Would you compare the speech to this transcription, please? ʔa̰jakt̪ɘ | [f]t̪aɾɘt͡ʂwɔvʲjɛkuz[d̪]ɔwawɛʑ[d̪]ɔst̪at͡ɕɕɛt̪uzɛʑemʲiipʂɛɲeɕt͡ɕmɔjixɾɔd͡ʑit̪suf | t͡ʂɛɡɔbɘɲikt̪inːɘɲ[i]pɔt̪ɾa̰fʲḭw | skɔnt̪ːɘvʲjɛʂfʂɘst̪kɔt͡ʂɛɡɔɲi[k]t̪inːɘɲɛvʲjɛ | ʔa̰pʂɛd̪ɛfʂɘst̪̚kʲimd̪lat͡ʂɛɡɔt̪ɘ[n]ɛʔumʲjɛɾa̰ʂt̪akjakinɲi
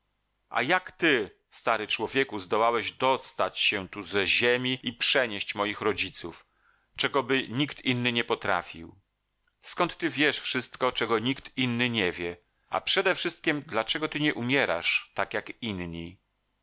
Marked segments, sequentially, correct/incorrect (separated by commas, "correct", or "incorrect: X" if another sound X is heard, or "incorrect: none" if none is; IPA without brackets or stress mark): incorrect: s, correct, correct, incorrect: ɛ, correct, incorrect: ɲ